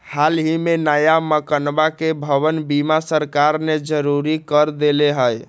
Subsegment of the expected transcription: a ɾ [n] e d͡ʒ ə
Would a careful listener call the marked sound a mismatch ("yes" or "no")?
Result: no